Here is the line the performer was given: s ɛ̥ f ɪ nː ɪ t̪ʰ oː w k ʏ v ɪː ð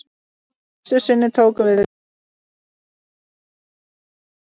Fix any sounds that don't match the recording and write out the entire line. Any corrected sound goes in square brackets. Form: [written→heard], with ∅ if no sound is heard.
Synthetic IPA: s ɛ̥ [f→s] ɪ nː ɪ t̪ʰ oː w k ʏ v [ɪː→ɪ] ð